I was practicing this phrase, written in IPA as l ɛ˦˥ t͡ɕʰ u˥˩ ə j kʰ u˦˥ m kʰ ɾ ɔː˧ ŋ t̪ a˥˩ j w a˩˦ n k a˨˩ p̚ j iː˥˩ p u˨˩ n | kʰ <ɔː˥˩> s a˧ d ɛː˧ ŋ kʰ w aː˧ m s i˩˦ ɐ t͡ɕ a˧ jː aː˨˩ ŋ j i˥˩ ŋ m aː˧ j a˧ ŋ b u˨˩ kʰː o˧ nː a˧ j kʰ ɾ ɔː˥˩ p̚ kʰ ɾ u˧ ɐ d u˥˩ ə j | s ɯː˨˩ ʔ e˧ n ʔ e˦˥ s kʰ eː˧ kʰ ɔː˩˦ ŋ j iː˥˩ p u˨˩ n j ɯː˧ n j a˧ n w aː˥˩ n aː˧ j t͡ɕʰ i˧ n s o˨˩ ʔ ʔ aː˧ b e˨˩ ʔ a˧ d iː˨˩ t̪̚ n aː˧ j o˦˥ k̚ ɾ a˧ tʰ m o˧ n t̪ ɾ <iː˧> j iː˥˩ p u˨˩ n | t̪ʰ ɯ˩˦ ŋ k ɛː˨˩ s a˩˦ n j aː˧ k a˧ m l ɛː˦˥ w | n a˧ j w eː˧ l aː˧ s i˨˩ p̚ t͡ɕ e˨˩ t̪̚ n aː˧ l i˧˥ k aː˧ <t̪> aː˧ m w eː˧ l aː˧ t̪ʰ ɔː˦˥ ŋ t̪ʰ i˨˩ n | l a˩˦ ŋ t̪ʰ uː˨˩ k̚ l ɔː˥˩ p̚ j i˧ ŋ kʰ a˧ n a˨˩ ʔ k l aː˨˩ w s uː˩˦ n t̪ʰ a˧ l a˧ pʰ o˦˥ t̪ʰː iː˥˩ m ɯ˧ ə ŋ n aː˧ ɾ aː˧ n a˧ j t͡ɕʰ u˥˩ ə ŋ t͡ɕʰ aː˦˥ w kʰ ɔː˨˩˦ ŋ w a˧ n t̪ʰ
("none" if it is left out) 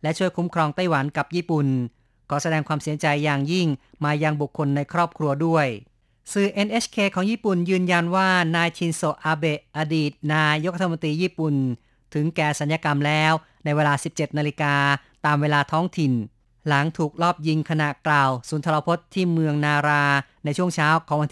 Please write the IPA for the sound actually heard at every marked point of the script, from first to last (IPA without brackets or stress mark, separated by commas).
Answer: ɔː˩˦, iː˧, t̪